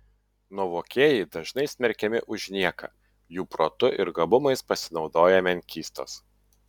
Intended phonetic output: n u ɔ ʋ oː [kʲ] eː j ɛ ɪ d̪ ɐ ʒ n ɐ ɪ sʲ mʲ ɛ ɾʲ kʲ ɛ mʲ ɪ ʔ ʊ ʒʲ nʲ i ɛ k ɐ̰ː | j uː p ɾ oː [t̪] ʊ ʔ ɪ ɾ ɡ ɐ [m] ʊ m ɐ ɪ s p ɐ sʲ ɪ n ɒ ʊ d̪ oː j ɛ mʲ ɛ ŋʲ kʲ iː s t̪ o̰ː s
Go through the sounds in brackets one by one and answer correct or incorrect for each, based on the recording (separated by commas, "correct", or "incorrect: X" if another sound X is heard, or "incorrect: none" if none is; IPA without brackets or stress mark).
correct, correct, incorrect: b